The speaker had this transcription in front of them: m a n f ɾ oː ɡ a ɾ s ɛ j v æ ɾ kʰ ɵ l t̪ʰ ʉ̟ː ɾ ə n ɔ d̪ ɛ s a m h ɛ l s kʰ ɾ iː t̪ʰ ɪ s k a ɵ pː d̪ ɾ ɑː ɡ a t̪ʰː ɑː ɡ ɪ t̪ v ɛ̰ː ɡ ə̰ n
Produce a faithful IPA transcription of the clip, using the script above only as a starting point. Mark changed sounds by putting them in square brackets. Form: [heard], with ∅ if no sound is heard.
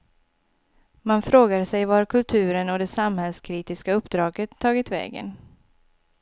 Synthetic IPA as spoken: m a n f ɾ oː ɡ a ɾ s ɛ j v [a] ɾ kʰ ɵ l t̪ʰ ʉ̟ː ɾ ə n ɔ d̪ ɛ s a m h ɛ l s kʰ ɾ iː [t̪] ɪ s k a ɵ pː d̪ ɾ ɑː ɡ [ə] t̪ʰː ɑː ɡ ɪ t̪ v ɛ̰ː ɡ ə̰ n